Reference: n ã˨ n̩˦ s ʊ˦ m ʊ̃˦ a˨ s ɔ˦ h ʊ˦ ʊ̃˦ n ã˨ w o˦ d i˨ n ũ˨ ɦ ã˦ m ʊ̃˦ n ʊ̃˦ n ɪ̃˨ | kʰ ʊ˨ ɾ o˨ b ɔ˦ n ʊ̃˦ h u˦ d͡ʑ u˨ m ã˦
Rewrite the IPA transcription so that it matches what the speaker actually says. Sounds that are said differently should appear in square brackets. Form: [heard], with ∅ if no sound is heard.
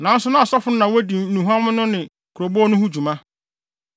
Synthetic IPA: n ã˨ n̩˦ s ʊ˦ [n] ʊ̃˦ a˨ s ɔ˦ [f] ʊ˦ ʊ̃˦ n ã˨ w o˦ d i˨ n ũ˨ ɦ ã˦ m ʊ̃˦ n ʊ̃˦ n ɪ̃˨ | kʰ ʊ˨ ɾ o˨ b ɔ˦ n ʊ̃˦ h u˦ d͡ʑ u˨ m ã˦